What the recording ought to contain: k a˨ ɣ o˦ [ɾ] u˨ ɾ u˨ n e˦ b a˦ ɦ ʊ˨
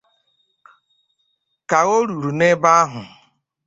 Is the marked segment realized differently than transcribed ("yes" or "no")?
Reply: no